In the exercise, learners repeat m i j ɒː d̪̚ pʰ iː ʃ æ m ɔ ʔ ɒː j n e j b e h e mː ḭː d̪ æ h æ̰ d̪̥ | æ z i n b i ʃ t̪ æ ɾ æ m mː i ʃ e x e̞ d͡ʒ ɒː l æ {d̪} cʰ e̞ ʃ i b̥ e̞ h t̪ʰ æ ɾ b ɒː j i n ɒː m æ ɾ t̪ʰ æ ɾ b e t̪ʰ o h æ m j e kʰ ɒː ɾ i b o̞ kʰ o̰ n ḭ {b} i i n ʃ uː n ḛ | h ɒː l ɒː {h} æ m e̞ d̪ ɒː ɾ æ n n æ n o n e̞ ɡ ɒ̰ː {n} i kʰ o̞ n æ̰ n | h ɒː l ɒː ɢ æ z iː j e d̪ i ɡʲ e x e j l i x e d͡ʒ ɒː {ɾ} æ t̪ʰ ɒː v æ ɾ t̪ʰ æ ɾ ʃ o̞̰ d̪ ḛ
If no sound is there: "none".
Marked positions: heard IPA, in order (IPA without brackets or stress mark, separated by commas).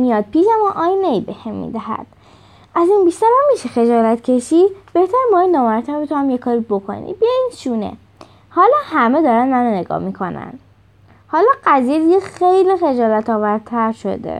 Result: t̪, b, h, m, l